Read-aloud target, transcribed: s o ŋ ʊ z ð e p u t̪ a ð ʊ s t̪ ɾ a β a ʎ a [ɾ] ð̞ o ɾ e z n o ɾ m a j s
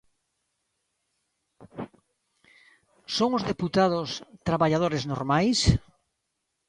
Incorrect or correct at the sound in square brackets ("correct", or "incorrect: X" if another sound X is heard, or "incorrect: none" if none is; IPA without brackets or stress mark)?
incorrect: none